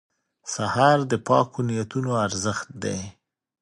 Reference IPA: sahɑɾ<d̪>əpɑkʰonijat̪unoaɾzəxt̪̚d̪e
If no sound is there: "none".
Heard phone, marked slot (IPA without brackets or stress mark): d̪